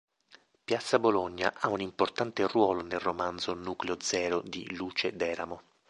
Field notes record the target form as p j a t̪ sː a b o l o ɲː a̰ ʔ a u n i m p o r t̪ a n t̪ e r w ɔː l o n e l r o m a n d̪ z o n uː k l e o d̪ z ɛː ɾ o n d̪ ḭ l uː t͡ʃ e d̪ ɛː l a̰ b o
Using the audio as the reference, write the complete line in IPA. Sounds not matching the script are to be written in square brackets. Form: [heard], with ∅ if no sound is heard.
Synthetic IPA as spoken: p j a t̪ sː a b o l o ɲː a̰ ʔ a u n i m p o r t̪ a n t̪ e r w ɔː l o n e l r o m a n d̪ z o n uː k l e o d̪ z ɛː ɾ o [∅] d̪ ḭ l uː t͡ʃ e d̪ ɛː [ɾ] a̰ [m] o